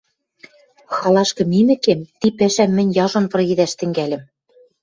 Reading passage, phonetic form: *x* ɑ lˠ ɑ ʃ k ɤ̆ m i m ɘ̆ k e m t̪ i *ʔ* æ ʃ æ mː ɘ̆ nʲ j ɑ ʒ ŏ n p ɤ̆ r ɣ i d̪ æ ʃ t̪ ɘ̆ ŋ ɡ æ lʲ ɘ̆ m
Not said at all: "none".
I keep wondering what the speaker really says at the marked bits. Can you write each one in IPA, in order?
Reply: x, p

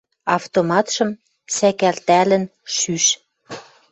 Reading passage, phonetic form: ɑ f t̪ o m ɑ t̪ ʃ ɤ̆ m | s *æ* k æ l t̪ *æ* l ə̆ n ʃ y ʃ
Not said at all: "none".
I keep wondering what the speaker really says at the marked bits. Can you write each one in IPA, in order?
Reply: æ, æ

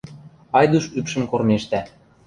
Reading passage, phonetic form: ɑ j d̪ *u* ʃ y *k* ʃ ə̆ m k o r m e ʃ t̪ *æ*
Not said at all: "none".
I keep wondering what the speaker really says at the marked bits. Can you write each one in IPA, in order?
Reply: u, p, æ

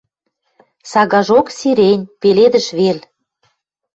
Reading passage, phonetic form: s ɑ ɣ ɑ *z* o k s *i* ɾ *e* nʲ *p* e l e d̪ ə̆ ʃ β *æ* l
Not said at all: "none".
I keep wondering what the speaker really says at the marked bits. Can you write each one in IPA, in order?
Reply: ʒ, i, e, p, e

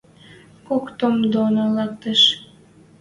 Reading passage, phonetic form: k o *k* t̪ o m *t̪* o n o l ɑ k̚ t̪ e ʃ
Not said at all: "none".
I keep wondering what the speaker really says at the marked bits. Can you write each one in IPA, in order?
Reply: k, d̪

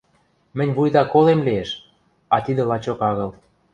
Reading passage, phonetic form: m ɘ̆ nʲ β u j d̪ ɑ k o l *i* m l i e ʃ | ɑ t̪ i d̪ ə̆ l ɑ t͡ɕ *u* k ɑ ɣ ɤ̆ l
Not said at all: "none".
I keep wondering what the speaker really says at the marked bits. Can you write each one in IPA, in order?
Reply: e, o

